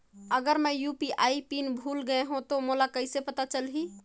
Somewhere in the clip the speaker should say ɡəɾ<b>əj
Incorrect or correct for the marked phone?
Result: incorrect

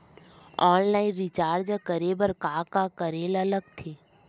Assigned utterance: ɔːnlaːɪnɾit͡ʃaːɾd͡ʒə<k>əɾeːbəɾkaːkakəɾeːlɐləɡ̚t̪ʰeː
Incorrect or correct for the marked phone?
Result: correct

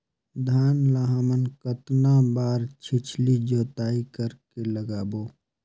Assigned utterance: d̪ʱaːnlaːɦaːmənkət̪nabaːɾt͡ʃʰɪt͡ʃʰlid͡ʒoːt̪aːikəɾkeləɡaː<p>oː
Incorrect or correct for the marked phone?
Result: incorrect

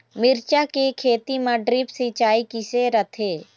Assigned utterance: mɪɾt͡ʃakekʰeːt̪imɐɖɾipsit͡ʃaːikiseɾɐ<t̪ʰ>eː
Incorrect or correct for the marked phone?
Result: correct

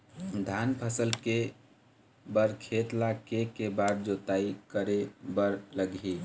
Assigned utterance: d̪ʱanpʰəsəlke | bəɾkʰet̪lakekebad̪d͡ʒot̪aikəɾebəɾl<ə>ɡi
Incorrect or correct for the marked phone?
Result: correct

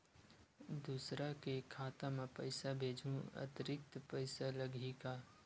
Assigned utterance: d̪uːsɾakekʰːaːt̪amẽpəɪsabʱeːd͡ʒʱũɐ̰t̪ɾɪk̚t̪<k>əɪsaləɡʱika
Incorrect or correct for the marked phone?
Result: incorrect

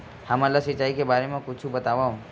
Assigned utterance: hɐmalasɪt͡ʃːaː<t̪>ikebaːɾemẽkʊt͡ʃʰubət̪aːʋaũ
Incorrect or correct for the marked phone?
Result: incorrect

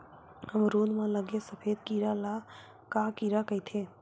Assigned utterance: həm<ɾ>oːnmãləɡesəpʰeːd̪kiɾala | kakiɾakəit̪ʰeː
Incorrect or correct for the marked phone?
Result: correct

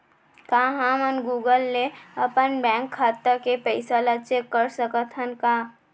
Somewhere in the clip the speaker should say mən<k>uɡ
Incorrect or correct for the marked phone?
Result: incorrect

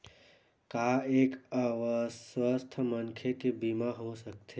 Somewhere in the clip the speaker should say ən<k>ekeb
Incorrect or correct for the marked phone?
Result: incorrect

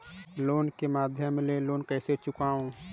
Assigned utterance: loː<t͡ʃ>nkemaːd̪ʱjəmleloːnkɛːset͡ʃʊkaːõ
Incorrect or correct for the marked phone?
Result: incorrect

